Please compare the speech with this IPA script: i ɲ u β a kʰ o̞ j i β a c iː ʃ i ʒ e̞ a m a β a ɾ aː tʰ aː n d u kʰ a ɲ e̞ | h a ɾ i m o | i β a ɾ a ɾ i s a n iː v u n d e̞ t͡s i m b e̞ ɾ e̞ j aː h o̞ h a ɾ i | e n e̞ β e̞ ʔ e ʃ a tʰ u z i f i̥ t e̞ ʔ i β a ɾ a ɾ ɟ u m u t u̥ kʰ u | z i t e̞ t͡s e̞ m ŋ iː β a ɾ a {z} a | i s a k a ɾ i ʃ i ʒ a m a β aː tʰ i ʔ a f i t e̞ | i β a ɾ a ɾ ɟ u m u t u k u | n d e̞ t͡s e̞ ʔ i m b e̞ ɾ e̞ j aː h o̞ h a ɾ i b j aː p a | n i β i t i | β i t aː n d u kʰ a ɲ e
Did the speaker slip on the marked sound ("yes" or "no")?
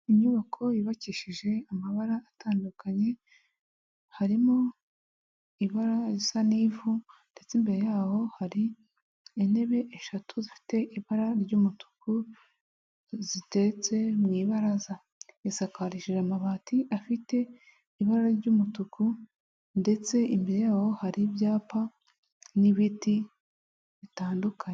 no